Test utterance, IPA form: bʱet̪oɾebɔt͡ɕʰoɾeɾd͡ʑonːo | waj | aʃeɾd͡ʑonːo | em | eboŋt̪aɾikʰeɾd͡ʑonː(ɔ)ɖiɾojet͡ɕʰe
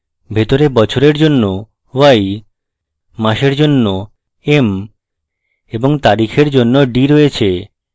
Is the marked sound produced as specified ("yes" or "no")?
no